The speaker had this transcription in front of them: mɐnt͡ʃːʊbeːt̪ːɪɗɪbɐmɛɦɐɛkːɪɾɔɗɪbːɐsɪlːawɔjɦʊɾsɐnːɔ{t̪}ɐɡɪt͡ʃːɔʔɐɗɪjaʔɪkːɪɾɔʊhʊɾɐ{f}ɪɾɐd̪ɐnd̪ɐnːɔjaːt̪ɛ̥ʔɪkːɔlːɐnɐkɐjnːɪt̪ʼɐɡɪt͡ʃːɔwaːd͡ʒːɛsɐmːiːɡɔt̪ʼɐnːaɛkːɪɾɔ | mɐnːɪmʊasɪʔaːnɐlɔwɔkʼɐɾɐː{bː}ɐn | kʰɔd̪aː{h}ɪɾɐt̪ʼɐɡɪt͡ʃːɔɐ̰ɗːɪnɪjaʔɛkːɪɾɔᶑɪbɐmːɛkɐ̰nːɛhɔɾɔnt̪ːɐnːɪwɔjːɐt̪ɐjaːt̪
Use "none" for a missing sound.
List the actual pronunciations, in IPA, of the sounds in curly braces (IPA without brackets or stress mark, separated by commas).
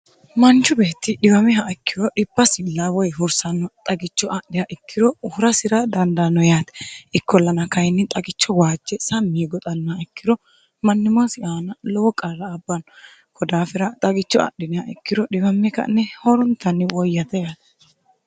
t̪ʼ, s, bː, f